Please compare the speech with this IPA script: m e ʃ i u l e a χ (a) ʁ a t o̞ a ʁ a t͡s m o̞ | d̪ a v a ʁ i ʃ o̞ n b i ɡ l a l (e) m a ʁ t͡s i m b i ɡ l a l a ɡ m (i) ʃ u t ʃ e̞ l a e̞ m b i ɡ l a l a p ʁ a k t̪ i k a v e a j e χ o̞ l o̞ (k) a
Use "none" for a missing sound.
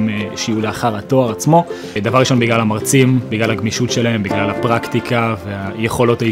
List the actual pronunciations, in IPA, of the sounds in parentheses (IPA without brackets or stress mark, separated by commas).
a, a, i, t